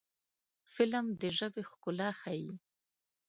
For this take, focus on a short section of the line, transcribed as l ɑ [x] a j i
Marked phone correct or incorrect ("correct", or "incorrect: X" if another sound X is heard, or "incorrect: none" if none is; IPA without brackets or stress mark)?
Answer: correct